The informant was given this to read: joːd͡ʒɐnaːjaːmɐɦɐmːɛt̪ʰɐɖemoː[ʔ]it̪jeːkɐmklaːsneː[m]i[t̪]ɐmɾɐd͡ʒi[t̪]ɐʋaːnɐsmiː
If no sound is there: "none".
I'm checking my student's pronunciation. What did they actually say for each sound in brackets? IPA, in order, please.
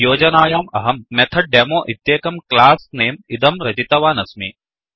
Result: ʔ, m, d̪, t̪

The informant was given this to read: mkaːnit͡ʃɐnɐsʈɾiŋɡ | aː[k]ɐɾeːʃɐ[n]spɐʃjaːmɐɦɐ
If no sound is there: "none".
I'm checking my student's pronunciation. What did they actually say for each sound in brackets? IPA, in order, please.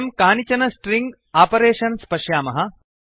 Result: p, n

